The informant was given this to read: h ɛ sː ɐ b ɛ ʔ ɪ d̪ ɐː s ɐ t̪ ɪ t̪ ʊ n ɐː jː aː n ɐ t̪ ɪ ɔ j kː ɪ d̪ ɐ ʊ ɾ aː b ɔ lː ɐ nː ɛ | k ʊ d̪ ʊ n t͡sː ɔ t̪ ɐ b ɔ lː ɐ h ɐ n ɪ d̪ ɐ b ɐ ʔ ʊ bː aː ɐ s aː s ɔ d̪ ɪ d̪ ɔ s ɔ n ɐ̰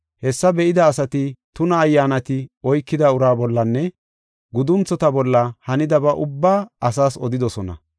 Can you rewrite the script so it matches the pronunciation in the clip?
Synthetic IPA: h ɛ sː ɐ b ɛ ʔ ɪ d̪ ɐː s ɐ t̪ ɪ t̪ ʊ n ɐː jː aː n ɐ t̪ ɪ ɔ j kː ɪ d̪ ɐ ʊ ɾ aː b ɔ lː ɐ nː ɛ | ɡ ʊ d̪ ʊ n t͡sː ɔ t̪ ɐ b ɔ lː ɐ h ɐ n ɪ d̪ ɐ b ɐ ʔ ʊ bː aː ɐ s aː s ɔ d̪ ɪ d̪ ɔ s ɔ n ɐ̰